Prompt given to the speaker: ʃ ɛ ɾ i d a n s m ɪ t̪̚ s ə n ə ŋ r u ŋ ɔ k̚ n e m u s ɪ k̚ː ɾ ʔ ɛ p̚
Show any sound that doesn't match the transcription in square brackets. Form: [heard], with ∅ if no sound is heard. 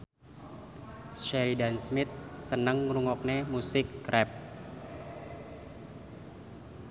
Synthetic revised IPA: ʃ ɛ ɾ i d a n s m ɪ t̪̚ s ə n ə ŋ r u ŋ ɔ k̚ n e m u s ɪ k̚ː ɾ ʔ ɛ p̚